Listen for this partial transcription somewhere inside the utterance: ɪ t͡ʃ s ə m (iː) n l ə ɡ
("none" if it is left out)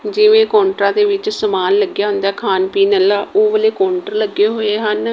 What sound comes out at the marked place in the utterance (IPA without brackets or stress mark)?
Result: aː